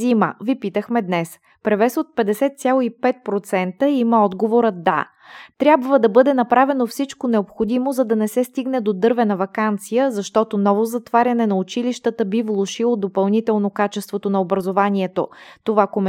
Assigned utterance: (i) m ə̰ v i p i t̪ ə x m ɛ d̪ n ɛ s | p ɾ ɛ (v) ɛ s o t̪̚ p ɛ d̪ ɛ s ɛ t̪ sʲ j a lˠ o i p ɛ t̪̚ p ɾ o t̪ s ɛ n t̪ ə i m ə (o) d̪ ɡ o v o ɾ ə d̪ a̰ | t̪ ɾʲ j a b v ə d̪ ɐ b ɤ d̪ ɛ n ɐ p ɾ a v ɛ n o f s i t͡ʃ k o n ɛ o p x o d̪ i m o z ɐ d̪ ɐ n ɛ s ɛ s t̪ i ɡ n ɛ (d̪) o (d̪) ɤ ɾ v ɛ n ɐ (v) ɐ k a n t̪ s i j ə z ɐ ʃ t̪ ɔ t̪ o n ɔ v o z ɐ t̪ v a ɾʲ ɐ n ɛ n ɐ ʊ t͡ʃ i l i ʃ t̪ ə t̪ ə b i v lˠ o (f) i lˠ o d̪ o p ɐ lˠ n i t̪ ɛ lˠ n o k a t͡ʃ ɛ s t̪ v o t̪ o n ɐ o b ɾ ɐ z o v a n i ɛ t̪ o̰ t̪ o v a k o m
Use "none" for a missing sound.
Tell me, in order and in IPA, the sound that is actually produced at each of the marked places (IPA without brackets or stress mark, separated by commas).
i, v, ɔ, d̪, d̪, v, ʃ